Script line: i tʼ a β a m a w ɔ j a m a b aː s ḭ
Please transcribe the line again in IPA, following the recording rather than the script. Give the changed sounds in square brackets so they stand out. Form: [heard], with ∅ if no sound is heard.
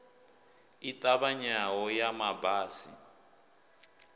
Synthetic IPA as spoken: i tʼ a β a [ɲ] a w ɔ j a m a b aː s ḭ